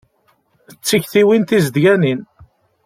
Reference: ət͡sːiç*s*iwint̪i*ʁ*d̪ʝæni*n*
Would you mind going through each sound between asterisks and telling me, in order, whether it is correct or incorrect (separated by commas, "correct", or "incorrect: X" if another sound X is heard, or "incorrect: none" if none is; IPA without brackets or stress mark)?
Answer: incorrect: θ, incorrect: z, correct